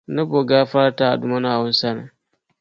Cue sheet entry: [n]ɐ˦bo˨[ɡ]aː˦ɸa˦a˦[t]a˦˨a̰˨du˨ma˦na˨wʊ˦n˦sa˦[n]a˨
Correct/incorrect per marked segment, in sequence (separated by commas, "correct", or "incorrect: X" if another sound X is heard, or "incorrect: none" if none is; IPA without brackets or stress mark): correct, correct, correct, correct